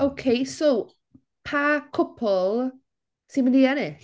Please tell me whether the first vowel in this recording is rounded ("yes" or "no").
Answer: yes